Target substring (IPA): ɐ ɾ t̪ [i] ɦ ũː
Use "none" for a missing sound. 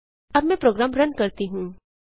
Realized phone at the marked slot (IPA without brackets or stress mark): i